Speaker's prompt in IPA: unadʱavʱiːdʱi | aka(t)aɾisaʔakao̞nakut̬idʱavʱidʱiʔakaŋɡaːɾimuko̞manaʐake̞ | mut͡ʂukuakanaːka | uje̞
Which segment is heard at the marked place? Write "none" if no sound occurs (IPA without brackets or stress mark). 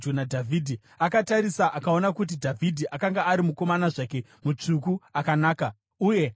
t